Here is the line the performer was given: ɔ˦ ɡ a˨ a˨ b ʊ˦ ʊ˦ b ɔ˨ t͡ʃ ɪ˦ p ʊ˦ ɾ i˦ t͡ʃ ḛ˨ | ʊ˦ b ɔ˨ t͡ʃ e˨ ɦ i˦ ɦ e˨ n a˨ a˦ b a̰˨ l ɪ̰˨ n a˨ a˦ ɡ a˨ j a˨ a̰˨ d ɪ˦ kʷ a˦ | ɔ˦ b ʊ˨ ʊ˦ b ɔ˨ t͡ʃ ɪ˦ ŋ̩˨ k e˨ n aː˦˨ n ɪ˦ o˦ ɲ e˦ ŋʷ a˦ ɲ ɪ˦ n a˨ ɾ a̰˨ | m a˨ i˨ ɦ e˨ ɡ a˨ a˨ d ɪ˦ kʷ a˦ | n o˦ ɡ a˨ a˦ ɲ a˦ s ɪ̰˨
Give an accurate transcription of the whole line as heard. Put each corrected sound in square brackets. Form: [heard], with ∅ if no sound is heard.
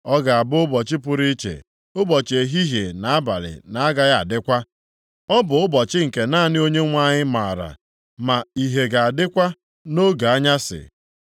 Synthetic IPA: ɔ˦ ɡ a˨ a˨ b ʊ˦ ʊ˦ b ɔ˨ t͡ʃ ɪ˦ p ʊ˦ ɾ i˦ t͡ʃ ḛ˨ | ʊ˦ b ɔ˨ t͡ʃ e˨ ɦ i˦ ɦ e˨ n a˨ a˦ b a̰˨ l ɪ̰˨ n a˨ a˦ ɡ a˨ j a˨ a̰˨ d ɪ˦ kʷ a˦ | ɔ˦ b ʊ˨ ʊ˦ b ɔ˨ t͡ʃ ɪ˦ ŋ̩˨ k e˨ n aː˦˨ n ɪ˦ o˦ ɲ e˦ ŋʷ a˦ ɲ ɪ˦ [m] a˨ ɾ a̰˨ | m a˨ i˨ ɦ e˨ ɡ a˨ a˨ d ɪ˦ kʷ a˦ | n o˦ ɡ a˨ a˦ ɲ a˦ s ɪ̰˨